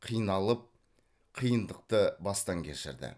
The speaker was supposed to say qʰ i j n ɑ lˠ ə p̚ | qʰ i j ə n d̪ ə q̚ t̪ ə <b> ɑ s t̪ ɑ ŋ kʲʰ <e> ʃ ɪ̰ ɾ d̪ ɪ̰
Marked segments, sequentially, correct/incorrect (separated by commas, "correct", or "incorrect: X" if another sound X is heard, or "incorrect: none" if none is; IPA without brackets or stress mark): correct, correct